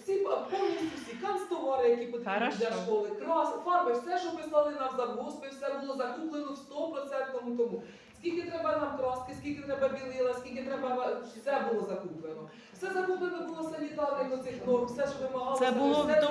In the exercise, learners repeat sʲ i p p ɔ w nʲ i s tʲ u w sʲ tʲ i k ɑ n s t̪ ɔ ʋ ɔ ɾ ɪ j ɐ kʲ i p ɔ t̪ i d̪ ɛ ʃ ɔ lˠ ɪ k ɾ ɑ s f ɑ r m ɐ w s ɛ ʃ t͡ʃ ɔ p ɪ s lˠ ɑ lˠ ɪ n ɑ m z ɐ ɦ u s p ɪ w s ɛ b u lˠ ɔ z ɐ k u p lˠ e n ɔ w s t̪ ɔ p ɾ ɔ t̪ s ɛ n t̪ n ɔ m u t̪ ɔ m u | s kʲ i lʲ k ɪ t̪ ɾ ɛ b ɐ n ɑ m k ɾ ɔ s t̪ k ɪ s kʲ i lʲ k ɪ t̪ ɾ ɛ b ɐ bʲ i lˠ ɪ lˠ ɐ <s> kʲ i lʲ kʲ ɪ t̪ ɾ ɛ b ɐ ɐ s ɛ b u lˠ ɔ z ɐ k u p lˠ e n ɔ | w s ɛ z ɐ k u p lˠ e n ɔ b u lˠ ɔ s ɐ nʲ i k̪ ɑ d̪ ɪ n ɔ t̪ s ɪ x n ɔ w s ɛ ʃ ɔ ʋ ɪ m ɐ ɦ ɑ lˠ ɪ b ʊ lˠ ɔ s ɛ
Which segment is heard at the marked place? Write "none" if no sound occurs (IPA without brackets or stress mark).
s